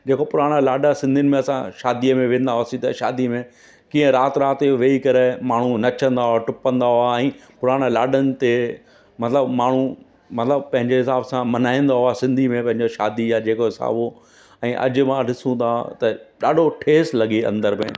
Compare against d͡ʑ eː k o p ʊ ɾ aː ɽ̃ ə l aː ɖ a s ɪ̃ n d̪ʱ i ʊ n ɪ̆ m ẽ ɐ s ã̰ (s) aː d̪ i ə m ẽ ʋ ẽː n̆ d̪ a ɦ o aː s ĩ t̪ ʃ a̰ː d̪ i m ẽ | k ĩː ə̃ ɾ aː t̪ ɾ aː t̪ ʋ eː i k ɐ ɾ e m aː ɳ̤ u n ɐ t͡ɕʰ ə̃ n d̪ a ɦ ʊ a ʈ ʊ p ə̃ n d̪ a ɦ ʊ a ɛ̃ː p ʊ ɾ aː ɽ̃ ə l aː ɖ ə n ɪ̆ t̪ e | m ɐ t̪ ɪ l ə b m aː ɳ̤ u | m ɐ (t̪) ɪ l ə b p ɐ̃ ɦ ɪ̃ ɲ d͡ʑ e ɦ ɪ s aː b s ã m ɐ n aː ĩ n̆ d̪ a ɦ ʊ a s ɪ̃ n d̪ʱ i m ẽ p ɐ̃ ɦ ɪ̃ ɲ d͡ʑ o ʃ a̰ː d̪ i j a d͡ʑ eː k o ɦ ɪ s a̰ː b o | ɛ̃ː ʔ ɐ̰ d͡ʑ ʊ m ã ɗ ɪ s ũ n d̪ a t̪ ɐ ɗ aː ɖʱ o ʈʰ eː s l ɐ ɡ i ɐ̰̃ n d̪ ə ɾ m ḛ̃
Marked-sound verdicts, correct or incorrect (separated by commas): incorrect, correct